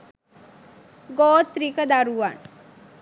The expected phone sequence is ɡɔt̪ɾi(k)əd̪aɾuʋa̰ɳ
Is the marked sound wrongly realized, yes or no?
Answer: no